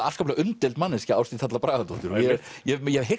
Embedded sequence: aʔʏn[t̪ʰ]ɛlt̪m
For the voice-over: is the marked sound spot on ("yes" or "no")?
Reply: no